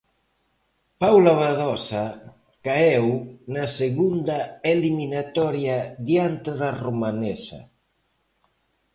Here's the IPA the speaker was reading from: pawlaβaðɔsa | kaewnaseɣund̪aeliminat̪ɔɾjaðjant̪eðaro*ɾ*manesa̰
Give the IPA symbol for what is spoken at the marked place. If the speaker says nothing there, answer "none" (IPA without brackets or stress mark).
none